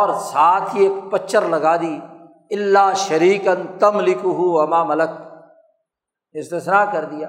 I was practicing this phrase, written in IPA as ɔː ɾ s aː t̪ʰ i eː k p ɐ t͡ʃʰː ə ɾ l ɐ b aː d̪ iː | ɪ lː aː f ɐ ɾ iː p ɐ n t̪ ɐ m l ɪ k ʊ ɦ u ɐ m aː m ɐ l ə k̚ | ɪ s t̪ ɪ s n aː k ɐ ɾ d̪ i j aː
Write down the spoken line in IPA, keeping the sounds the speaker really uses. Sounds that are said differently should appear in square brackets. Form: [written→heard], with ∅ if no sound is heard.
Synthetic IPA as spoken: ɔː ɾ s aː t̪ʰ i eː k p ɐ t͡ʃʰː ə ɾ l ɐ [b→ɡ] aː d̪ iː | ɪ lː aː [f→ʃ] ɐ ɾ iː [p→k] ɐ n t̪ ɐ m l ɪ k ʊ ɦ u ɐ m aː m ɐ l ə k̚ | ɪ s t̪ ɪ s n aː k ɐ ɾ d̪ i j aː